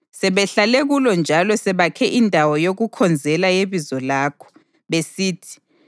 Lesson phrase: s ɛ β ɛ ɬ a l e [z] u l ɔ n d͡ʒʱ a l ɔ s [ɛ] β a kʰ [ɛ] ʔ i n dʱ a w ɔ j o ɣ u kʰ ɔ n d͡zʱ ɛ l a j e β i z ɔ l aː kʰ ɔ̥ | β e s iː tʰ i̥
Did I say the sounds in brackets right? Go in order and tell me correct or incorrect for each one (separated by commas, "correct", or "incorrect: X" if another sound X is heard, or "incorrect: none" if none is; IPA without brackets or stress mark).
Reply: incorrect: ɣ, correct, correct